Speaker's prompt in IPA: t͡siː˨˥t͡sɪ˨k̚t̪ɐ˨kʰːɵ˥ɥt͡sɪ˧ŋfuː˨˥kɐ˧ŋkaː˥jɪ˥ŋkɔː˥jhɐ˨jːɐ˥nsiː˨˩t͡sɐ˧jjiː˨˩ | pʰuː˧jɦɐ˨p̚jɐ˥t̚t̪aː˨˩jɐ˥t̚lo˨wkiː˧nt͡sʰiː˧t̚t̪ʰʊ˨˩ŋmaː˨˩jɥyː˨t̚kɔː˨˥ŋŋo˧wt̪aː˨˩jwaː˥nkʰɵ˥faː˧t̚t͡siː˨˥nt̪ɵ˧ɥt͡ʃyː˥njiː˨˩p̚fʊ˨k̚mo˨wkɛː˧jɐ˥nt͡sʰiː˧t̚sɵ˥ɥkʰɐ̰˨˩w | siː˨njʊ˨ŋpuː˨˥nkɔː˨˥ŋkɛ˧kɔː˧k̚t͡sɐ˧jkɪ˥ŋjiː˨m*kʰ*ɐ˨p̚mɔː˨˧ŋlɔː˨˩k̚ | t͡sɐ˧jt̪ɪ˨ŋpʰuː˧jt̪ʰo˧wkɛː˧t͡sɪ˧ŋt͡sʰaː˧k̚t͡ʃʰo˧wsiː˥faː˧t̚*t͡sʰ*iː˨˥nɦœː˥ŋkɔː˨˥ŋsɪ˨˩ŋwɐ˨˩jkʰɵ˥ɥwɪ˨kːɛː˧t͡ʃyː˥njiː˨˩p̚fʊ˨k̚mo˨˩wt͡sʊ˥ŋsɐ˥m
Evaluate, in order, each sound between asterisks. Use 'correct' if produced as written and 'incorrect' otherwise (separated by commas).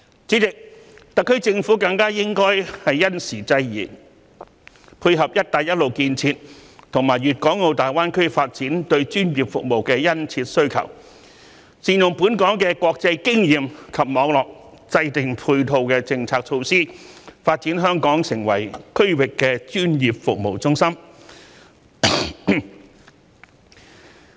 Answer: correct, incorrect